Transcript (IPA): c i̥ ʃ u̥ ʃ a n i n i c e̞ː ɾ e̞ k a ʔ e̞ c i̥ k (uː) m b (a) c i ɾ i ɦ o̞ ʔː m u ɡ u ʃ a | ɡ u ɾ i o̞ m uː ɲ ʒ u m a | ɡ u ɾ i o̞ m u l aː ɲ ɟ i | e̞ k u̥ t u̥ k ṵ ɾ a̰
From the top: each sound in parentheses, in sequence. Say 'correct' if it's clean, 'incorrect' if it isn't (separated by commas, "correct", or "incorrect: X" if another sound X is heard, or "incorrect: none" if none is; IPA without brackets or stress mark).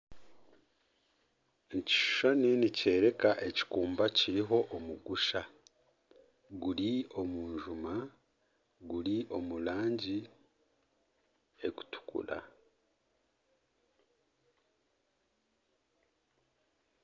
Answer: correct, correct